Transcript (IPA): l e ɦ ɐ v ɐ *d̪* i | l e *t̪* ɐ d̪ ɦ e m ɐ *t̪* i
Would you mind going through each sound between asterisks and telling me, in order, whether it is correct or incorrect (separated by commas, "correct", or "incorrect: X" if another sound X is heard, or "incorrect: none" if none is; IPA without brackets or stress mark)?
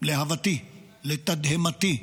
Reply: incorrect: t̪, correct, correct